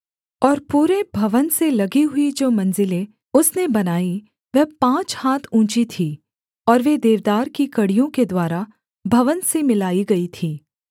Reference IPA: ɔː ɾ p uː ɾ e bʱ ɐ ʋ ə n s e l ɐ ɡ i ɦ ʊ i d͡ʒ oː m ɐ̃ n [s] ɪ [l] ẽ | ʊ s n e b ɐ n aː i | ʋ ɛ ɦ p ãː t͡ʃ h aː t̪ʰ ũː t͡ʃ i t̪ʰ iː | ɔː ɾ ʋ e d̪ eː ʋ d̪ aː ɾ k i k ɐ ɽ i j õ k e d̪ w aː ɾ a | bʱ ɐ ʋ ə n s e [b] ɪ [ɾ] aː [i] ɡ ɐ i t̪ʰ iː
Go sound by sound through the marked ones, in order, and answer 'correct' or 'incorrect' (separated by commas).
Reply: incorrect, correct, incorrect, incorrect, correct